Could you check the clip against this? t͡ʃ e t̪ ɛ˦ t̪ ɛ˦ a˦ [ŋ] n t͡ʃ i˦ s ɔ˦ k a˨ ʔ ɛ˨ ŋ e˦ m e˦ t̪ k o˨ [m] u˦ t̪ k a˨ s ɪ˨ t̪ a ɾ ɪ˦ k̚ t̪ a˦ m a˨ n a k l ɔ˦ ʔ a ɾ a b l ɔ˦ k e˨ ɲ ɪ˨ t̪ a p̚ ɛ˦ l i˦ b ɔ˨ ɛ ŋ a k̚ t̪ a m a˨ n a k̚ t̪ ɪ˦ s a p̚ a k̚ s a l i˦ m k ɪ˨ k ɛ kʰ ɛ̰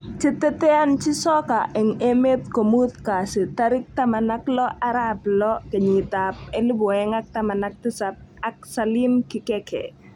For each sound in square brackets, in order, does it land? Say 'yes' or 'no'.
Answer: no, yes

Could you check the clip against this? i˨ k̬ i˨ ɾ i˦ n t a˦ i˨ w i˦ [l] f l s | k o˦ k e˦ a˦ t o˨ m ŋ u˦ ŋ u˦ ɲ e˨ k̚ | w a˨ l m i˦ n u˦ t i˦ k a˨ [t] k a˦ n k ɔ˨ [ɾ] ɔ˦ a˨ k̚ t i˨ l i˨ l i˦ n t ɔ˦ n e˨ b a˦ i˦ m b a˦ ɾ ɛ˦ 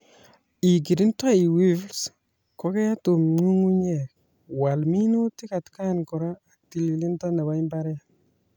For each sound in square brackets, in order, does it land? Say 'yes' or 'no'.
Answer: no, yes, yes

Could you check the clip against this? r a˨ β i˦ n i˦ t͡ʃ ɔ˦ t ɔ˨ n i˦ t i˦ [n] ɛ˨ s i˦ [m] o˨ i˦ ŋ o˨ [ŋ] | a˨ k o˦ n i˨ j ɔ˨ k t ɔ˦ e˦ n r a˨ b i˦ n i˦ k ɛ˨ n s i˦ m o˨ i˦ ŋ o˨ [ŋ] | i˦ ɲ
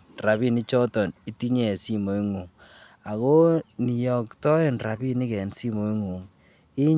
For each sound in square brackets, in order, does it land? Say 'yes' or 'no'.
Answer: no, yes, yes, yes

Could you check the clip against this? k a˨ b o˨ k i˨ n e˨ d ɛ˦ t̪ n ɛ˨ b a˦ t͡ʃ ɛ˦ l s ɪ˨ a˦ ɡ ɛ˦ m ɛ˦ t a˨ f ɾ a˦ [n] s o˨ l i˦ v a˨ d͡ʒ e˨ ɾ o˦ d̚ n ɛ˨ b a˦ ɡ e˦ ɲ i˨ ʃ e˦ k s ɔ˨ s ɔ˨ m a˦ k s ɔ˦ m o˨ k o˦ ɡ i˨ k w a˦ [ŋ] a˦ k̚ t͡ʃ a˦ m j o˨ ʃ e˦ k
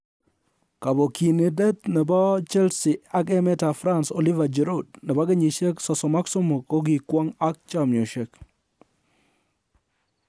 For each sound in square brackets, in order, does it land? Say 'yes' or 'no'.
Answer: yes, yes

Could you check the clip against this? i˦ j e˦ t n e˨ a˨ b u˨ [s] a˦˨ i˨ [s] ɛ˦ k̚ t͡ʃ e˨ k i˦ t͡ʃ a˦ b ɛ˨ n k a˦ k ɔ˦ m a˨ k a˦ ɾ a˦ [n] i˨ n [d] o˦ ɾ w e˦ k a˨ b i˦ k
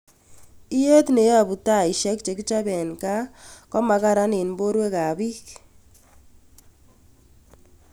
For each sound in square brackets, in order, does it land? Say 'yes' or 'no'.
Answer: no, no, yes, no

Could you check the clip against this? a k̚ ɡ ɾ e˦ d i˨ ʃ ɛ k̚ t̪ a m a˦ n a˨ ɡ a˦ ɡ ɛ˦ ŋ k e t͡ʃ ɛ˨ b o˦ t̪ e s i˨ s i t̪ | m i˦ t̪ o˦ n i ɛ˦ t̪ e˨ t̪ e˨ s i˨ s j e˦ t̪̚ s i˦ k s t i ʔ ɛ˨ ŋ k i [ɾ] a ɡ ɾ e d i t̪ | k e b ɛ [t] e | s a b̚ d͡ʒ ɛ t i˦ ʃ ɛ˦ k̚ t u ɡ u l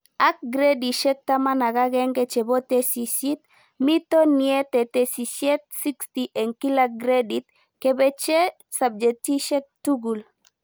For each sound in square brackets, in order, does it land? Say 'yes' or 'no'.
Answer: no, no

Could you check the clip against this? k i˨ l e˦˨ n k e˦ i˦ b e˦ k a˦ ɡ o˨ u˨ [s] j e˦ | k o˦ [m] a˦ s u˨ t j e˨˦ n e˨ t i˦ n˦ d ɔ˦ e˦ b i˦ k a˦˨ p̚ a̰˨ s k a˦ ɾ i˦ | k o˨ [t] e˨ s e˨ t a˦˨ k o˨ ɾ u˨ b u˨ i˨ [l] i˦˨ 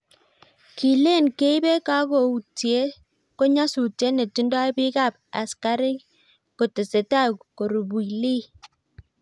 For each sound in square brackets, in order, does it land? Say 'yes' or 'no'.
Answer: no, no, yes, yes

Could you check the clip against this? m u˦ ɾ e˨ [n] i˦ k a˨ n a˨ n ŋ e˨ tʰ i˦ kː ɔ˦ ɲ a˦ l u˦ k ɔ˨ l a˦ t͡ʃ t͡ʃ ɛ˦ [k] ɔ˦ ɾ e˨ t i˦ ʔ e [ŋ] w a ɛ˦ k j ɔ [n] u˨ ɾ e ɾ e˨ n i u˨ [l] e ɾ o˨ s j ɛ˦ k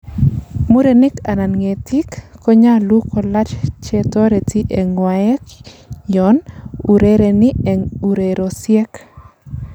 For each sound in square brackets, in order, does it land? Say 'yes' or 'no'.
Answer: yes, no, yes, yes, no

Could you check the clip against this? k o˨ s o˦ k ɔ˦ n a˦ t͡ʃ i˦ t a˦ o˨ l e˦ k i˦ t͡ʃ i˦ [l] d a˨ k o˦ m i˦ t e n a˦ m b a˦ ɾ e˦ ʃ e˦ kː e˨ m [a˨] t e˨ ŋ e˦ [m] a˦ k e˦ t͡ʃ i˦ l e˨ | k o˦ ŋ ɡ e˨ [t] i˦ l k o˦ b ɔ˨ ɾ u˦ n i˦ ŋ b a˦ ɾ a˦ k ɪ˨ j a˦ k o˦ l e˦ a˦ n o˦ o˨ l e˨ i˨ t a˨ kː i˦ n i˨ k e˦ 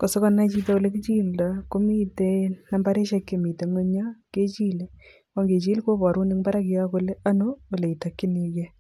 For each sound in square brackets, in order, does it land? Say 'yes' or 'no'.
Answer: yes, no, no, no

